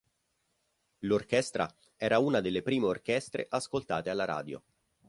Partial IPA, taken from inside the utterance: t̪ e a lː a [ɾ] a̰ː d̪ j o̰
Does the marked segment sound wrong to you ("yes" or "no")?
no